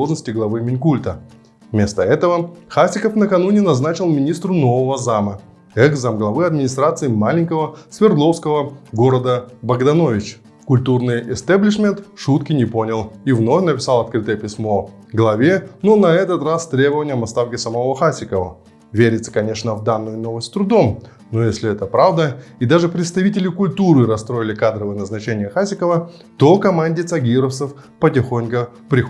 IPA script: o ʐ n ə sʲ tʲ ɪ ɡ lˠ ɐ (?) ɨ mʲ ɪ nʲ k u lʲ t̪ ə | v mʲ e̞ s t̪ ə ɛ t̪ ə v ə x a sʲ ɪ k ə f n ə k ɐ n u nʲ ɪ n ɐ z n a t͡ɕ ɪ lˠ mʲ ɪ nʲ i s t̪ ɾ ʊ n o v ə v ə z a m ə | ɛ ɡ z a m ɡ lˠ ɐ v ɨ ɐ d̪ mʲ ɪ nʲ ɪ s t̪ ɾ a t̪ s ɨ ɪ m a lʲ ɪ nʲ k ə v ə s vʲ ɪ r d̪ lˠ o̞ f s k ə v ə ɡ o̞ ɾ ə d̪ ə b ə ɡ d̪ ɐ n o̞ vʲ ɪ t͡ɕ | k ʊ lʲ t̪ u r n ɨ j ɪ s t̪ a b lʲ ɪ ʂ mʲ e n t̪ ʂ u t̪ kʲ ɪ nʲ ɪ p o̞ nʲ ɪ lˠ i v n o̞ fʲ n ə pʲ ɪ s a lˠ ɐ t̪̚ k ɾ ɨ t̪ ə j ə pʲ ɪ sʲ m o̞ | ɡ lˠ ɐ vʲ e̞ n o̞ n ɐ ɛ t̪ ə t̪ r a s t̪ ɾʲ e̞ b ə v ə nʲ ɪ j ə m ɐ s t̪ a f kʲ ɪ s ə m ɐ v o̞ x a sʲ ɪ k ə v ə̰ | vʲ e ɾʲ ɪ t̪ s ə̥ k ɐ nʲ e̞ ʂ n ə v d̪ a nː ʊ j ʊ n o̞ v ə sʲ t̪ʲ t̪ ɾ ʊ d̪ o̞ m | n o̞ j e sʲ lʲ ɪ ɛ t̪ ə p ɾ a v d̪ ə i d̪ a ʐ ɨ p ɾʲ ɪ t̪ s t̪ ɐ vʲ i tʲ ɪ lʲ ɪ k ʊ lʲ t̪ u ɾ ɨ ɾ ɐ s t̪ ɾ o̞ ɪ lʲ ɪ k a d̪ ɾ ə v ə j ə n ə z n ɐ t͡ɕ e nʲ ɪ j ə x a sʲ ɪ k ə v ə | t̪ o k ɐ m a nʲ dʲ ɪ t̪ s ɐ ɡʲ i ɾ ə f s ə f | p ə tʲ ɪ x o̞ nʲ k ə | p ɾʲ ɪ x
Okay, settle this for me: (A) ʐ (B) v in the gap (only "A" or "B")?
B